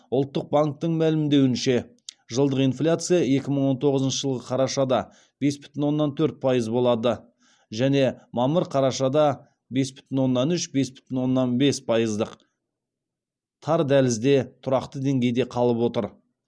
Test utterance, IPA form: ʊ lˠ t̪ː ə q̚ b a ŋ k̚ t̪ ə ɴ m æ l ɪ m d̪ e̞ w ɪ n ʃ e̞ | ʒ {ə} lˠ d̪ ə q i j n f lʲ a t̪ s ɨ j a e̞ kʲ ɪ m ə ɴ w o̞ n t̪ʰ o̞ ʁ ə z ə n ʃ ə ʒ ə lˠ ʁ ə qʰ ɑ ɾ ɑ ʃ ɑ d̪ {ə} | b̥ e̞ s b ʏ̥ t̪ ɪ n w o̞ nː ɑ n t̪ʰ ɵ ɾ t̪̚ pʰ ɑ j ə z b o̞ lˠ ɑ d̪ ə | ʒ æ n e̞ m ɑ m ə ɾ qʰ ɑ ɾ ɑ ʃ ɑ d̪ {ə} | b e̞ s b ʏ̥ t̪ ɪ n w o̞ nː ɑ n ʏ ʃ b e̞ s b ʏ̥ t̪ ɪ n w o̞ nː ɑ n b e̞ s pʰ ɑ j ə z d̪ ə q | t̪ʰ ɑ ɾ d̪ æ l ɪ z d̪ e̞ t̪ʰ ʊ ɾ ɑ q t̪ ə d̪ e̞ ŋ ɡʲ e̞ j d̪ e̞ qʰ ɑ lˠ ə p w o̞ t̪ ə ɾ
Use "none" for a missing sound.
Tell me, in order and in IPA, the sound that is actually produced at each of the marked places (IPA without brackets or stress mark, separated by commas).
ə, ɑ, ɑ